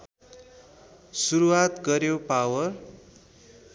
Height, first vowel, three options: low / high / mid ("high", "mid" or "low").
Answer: high